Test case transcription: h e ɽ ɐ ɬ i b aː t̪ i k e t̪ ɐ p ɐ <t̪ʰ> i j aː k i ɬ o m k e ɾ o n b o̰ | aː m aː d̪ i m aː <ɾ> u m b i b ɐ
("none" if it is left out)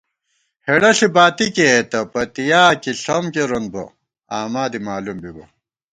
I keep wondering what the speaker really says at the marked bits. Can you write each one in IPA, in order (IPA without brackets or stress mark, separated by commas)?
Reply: t̪, l